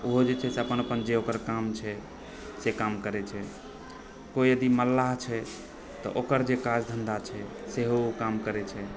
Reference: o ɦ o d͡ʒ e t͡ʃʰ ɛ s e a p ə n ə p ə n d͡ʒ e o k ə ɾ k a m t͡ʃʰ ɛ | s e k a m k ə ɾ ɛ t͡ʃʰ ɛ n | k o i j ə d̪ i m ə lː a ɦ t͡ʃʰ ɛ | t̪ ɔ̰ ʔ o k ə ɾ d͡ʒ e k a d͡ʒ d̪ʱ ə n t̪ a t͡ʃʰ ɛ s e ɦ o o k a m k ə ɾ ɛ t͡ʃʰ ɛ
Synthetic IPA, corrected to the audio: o ɦ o d͡ʒ e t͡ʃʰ ɛ s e ə p ə n ə p ə n d͡ʒ e o k ə ɾ k a m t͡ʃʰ ɛ | s e k a m k ə ɾ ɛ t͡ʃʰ ɛ | k o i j ə d̪ i m ə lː a ɦ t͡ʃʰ ɛ | t̪ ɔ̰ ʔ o k ə ɾ d͡ʒ e k a d͡ʒ d̪ʱ ə n d̪ a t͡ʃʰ ɛ s e ɦ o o k a m k ə ɾ ɛ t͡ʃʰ ɛ